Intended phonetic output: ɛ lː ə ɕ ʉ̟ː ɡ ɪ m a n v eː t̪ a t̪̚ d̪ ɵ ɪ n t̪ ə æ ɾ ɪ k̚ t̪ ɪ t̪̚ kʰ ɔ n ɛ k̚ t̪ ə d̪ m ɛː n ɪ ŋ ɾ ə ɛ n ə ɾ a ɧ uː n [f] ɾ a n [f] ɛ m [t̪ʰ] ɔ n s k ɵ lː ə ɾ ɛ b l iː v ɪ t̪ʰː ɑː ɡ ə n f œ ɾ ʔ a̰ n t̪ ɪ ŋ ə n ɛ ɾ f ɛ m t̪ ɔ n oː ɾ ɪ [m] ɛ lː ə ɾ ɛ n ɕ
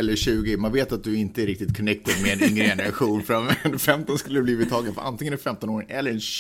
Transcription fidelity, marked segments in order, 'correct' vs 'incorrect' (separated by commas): correct, correct, incorrect, incorrect